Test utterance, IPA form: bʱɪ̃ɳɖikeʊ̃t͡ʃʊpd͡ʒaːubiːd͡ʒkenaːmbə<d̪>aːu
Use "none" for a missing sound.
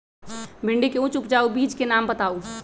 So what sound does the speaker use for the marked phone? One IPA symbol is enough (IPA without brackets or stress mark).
t̪